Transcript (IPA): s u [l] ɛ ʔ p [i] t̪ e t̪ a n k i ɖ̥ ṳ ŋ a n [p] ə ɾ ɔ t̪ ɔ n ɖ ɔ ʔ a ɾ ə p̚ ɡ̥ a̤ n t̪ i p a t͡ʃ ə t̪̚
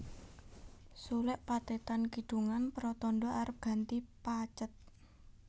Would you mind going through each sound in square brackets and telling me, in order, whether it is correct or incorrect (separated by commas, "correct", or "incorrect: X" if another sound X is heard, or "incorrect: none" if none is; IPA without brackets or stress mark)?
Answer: correct, incorrect: a, correct